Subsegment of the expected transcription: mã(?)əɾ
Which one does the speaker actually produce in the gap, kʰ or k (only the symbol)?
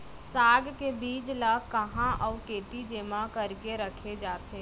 k